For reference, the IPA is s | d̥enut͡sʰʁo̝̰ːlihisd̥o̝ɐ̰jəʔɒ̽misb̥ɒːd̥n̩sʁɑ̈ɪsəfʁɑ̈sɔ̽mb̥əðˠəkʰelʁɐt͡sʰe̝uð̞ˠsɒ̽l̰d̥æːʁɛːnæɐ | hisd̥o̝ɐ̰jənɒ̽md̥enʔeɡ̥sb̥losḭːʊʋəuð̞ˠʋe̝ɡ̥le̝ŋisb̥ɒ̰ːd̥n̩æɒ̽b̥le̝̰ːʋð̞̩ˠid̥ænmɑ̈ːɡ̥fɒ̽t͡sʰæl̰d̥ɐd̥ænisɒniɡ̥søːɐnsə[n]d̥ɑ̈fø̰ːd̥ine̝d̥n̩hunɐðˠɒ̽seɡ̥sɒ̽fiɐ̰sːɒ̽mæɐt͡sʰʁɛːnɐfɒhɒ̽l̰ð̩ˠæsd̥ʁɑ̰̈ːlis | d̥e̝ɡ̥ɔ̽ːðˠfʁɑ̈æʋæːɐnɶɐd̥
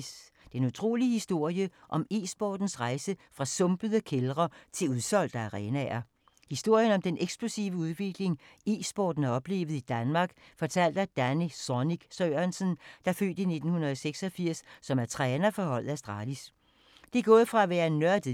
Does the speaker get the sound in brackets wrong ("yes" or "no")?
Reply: no